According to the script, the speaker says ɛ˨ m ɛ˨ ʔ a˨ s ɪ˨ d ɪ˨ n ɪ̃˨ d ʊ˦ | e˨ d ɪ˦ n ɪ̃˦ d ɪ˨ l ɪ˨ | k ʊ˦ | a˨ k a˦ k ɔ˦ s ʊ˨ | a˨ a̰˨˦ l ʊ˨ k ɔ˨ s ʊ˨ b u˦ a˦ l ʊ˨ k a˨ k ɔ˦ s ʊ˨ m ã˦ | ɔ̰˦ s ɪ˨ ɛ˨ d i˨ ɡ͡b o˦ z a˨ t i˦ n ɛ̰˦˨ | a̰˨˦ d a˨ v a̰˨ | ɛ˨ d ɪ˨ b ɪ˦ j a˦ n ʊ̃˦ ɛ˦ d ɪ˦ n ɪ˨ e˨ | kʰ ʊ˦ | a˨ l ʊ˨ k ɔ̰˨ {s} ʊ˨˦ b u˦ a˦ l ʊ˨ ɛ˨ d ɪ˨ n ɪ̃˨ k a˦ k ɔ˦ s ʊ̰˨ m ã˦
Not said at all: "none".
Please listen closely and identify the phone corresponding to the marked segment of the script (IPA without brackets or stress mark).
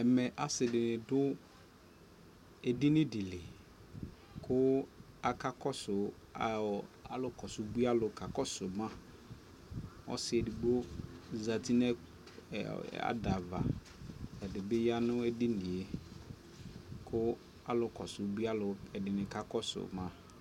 s